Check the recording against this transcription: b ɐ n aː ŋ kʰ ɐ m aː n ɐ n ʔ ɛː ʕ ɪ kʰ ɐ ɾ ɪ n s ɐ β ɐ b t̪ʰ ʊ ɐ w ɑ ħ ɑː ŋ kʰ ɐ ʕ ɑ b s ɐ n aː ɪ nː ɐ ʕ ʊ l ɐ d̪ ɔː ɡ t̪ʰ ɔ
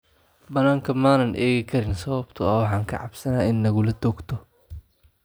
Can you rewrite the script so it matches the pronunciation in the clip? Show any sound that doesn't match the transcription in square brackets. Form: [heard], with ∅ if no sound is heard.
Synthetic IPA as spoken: b ɐ n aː ŋ kʰ ɐ m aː n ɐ n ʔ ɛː [ɣ] ɪ kʰ ɐ ɾ ɪ n s ɐ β ɐ b t̪ʰ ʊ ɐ w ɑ ħ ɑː ŋ kʰ ɐ ʕ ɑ b s ɐ n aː ɪ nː ɐ [ɣ] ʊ l ɐ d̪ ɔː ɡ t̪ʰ ɔ